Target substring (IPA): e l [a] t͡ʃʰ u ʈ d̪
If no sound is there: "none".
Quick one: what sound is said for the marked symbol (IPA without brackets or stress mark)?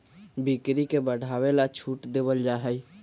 a